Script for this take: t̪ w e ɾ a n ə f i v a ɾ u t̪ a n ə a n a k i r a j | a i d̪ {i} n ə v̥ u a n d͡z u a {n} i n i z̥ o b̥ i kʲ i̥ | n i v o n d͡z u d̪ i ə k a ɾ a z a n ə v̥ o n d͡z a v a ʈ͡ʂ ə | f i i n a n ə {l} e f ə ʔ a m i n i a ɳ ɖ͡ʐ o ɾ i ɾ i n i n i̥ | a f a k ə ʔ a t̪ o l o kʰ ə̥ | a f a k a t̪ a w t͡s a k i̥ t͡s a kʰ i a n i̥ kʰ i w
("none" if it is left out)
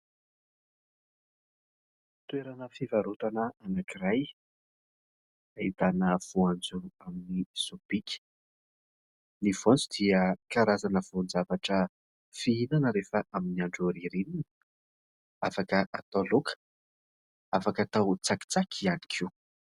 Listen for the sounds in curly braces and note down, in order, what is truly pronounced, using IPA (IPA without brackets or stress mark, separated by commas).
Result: a, m, ɾ